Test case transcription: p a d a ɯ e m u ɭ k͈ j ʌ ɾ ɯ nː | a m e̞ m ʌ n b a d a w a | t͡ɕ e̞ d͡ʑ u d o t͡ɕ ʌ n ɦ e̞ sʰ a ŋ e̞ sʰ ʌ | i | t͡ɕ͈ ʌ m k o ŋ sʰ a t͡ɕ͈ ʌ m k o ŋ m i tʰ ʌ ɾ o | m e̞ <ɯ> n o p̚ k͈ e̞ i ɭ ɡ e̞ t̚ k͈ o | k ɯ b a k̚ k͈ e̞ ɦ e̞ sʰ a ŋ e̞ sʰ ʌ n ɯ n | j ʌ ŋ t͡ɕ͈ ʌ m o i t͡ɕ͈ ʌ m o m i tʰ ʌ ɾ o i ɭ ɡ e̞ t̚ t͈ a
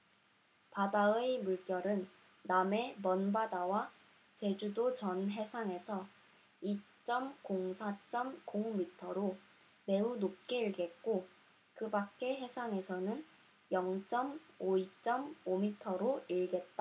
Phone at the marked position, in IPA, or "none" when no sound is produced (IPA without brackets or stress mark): u